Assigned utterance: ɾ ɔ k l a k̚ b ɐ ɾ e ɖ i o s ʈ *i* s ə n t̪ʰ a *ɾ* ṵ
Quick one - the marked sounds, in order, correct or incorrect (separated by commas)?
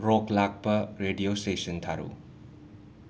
incorrect, correct